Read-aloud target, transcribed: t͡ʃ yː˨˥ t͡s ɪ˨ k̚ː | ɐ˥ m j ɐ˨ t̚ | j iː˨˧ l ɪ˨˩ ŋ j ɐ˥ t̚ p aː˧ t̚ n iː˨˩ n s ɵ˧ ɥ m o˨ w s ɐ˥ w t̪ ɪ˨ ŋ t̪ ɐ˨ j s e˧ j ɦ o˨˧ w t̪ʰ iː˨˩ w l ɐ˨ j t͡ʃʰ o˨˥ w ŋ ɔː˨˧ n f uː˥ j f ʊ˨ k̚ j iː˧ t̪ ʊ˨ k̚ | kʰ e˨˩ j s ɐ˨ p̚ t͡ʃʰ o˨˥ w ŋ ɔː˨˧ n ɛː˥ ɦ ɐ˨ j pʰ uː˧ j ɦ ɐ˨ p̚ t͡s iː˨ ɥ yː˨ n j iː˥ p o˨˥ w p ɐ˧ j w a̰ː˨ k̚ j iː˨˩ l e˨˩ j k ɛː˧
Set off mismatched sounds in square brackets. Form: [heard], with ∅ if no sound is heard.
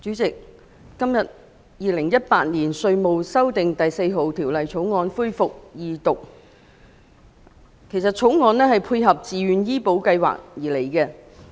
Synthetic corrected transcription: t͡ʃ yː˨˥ t͡s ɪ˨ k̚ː | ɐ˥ m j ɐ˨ t̚ | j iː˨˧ l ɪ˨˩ ŋ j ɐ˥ t̚ p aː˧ t̚ n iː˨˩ n s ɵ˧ ɥ m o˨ w s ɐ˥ w t̪ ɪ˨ ŋ t̪ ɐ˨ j s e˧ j ɦ o˨˧ w t̪ʰ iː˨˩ w l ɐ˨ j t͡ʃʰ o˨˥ w ŋ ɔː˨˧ n f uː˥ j f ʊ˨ k̚ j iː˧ t̪ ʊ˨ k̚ | kʰ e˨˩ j s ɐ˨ [t̚] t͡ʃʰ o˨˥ w ŋ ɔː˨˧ n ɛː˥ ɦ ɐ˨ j pʰ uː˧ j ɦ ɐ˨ p̚ t͡s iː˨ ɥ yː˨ n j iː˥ p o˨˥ w [k] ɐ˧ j w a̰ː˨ k̚ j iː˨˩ l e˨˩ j k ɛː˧